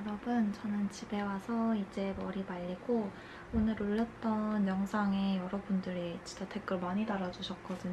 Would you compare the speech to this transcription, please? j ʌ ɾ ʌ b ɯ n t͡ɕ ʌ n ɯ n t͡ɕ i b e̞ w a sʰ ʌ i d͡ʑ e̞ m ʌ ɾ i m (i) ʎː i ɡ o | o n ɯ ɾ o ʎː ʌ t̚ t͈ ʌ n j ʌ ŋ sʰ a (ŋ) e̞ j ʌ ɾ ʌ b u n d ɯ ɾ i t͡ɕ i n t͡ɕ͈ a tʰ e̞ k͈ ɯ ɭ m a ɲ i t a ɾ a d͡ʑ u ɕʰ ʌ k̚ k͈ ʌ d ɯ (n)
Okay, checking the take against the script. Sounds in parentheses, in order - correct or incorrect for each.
incorrect, correct, incorrect

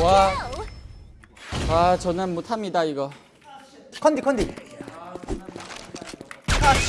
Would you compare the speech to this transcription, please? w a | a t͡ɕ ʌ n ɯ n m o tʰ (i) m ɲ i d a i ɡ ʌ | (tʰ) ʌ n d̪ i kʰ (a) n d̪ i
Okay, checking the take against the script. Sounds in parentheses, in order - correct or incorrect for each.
incorrect, incorrect, incorrect

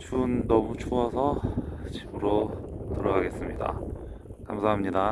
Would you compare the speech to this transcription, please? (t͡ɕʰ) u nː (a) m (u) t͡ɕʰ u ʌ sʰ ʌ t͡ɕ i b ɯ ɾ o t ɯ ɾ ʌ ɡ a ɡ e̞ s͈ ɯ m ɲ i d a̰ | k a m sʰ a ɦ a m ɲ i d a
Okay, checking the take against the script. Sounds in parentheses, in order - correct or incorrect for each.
correct, incorrect, correct

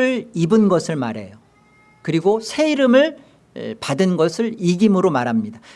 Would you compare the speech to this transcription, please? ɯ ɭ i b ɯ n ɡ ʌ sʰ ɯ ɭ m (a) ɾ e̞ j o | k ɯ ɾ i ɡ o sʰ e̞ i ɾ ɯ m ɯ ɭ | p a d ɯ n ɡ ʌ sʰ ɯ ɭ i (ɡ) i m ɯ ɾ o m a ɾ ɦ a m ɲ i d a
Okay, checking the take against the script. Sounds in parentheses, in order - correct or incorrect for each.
correct, correct

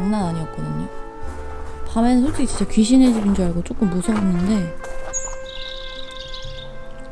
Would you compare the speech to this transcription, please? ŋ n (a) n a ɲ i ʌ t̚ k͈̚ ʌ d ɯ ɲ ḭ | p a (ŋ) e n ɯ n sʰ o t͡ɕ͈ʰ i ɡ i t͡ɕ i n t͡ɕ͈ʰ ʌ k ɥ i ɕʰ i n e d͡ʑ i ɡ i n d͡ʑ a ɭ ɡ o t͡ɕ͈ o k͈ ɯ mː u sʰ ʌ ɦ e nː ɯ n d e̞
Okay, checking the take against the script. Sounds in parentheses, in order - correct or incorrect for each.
correct, incorrect

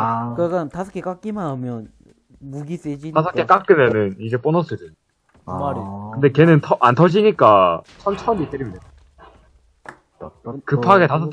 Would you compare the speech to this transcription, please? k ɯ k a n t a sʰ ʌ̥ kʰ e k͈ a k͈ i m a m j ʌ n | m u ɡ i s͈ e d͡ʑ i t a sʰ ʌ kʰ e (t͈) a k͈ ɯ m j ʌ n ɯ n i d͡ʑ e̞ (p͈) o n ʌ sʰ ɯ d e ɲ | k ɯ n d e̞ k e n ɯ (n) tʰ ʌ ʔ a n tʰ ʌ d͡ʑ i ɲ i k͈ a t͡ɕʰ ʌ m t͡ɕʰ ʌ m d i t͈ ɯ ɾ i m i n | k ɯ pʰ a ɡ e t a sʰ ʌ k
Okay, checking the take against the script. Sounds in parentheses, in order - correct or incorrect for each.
incorrect, correct, correct

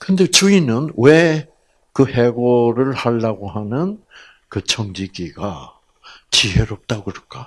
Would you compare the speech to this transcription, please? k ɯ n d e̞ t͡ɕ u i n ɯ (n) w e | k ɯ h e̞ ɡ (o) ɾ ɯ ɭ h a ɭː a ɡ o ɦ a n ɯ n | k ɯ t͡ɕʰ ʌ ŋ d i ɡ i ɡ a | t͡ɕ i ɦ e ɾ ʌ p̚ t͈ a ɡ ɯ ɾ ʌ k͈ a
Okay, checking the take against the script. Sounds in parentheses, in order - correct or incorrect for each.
correct, correct

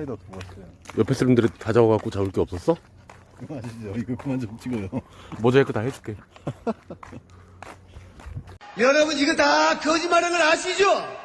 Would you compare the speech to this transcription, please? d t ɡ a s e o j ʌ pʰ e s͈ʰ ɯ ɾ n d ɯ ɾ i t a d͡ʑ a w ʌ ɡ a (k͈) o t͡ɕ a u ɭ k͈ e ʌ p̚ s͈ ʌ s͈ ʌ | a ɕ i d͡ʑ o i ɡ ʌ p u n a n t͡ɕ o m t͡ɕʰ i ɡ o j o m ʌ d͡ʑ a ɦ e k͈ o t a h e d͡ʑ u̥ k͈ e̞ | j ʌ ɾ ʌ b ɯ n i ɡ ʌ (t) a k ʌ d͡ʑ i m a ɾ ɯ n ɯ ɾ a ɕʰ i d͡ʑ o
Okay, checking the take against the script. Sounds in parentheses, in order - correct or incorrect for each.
correct, correct

